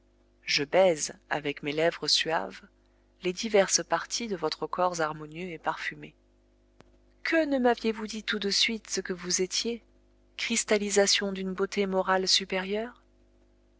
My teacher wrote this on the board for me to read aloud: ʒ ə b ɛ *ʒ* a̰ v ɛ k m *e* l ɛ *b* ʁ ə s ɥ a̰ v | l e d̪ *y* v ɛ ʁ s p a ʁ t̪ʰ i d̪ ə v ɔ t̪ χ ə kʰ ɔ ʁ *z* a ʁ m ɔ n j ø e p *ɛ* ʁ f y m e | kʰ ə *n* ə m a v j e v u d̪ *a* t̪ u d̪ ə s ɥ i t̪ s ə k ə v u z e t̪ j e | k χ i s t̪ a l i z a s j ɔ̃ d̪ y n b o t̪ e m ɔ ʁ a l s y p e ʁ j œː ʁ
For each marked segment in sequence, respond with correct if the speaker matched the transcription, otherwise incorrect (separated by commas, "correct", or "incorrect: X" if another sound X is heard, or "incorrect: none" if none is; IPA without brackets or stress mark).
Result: incorrect: z, correct, incorrect: v, incorrect: i, correct, incorrect: a, correct, incorrect: i